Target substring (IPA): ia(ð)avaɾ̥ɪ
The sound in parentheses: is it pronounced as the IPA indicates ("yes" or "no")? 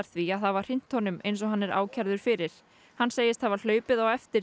no